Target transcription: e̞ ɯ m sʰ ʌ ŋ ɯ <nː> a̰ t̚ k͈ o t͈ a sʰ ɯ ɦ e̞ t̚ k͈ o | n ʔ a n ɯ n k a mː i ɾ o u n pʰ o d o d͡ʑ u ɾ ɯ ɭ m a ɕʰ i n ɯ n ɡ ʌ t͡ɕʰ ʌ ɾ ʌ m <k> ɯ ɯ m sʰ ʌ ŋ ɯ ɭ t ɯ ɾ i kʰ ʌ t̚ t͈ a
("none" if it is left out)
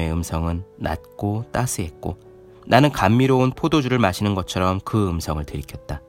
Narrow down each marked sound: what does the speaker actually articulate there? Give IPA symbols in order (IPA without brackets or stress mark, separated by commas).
nː, k